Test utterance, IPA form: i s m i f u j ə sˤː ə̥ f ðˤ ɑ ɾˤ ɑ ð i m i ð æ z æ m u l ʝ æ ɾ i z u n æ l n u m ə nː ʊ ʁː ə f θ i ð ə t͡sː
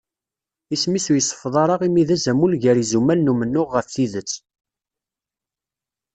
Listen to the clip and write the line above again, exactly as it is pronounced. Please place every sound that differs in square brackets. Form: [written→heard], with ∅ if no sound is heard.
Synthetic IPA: i s m i [f→s] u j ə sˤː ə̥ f ðˤ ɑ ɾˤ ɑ [ð→ʁ] i m i ð æ z æ m u l ʝ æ ɾ i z u [n→m] æ l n u m ə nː ʊ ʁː ə f θ i ð ə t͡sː